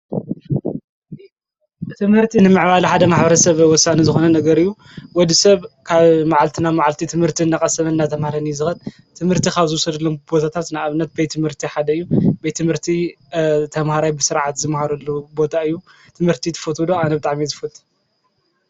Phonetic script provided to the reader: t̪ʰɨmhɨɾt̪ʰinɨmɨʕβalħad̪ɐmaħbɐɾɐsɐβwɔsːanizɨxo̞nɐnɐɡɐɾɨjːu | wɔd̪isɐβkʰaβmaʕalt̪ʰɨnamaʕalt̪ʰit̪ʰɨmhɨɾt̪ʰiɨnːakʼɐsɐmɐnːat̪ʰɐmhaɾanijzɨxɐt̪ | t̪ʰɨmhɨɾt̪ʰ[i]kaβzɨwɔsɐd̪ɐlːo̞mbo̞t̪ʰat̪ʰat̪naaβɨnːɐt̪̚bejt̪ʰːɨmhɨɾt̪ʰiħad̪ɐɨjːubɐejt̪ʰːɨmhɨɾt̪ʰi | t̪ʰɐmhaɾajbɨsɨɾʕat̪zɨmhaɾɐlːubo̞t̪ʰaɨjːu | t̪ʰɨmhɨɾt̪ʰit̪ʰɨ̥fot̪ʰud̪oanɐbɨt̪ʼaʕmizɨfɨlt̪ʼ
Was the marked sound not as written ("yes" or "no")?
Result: no